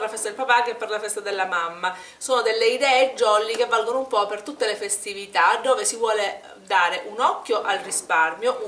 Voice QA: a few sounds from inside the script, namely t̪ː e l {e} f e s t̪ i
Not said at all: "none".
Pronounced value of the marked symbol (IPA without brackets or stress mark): e